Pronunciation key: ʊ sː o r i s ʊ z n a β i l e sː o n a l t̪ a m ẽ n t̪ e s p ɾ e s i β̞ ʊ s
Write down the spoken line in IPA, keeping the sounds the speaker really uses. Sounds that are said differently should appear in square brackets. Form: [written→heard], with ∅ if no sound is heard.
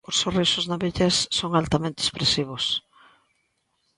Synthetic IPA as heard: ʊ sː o r i s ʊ z n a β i [l→ʎ] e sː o [n→ŋ] a l t̪ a m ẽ n t̪ e s p ɾ e s i β̞ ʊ s